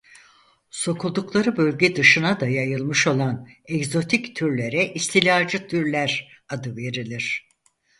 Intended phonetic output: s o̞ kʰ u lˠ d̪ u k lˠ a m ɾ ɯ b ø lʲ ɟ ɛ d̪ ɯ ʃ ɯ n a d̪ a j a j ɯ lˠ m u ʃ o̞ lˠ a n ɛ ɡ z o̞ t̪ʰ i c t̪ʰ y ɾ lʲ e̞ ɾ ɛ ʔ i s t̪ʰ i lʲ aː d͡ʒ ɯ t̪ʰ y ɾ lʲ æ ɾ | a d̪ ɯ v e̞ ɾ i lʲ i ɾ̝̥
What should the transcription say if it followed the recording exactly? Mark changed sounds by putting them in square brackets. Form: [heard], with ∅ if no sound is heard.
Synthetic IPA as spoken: s o̞ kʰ u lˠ d̪ u k lˠ a [∅] ɾ ɯ b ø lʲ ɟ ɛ d̪ ɯ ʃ ɯ n a d̪ a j a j ɯ lˠ m [ɯ] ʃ o̞ lˠ a n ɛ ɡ z o̞ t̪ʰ i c t̪ʰ y ɾ lʲ e̞ ɾ ɛ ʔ i s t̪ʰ i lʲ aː d͡ʒ ɯ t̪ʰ y ɾ lʲ æ ɾ | a d̪ ɯ v e̞ ɾ i lʲ i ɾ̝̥